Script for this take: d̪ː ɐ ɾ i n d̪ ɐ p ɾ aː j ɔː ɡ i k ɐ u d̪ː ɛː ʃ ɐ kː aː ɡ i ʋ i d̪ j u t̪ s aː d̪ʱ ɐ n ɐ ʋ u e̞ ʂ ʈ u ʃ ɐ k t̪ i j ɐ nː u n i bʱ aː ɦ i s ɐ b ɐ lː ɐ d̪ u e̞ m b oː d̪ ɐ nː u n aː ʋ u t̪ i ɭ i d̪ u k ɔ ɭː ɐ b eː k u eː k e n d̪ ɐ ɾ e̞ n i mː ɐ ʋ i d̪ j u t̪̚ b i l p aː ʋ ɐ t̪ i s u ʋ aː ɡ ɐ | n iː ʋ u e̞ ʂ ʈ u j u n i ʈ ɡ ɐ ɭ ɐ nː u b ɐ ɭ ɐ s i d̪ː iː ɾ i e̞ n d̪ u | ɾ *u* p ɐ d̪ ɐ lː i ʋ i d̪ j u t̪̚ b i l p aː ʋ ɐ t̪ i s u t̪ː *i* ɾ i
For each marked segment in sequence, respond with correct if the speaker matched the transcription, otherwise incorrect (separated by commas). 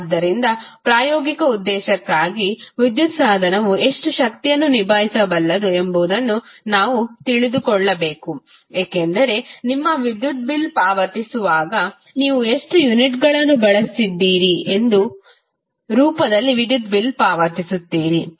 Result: incorrect, incorrect